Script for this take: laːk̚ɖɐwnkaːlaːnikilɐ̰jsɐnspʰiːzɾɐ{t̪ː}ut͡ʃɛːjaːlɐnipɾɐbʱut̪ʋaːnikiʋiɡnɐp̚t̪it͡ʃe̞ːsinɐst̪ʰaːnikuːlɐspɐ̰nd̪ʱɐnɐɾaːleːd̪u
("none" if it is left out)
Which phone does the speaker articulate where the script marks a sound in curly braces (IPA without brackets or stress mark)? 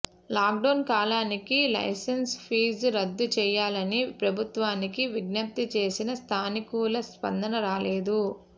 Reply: d̪ː